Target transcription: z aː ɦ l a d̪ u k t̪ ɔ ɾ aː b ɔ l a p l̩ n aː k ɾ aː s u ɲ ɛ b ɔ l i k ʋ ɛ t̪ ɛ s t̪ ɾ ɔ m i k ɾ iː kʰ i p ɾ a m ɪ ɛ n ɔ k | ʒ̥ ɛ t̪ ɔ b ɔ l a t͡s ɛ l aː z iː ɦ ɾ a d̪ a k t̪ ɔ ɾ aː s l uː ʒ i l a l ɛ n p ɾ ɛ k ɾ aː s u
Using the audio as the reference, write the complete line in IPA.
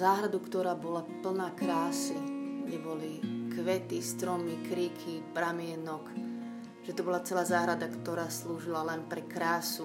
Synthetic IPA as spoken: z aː ɦ ɾ a d̪ u k t̪ ɔ ɾ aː b ɔ l a p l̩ n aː k ɾ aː s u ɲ ɛ b ɔ l i k ʋ ɛ t̪ i s t̪ ɾ ɔ m i k ɾ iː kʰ i p ɾ a m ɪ ɛ n ɔ k | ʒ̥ ɛ t̪ ɔ b ɔ l a t͡s ɛ l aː z aː ɦ ɾ a d̪ a k t̪ ɔ ɾ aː s l uː ʒ i l a l ɛ n p ɾ ɛ k ɾ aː s u